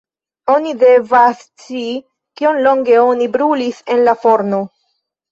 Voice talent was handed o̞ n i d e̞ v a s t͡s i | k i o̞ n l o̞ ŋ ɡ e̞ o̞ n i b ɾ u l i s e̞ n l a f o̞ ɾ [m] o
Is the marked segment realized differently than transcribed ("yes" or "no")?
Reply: yes